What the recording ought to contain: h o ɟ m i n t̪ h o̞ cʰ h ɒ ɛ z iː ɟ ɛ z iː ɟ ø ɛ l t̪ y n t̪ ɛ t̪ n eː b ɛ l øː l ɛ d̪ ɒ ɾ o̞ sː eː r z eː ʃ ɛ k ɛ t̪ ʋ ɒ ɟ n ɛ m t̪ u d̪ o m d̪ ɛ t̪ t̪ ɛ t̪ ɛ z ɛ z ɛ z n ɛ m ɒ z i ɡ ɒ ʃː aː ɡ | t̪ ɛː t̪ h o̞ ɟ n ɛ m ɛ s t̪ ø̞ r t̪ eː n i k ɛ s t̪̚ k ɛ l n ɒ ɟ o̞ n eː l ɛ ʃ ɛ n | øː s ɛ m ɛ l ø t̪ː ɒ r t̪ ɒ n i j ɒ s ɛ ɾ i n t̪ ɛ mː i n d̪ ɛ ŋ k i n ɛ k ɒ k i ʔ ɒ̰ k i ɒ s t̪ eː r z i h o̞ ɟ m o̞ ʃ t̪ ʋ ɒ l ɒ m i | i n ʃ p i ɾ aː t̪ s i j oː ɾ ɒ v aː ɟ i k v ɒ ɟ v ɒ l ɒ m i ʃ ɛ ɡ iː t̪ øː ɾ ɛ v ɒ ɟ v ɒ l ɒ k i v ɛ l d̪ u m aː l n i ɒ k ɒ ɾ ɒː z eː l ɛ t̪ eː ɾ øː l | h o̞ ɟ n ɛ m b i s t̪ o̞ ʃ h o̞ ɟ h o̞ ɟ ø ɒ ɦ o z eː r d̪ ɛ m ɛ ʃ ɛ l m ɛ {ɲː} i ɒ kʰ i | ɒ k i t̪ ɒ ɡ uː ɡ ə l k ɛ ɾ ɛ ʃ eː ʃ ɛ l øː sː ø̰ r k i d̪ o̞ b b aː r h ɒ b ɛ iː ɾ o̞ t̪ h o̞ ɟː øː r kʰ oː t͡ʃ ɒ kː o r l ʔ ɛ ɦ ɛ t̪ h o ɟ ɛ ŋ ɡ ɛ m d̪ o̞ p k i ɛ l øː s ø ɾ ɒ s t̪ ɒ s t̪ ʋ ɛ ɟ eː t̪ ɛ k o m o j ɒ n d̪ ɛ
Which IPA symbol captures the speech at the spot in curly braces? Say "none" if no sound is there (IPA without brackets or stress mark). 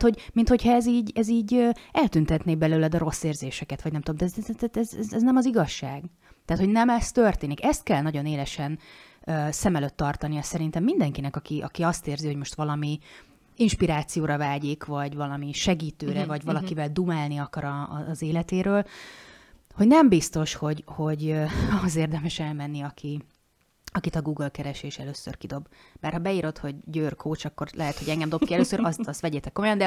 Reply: nː